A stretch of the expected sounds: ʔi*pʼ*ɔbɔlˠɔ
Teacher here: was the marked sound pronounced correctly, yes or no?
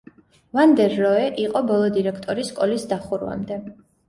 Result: no